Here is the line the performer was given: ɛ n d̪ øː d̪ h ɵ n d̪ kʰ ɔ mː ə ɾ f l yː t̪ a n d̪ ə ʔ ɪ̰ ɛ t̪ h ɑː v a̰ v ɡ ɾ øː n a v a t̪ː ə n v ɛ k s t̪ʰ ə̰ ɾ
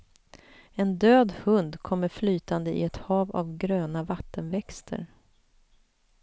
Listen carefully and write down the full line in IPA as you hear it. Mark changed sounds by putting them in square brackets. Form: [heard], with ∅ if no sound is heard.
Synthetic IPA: ɛ n d̪ øː d̪ h ɵ n d̪ kʰ ɔ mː ə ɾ f l yː t̪ a n d̪ ə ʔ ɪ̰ ɛ t̪ h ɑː v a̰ v ɡ ɾ øː n a v a t̪ː ə n v ɛ k s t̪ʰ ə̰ ɾ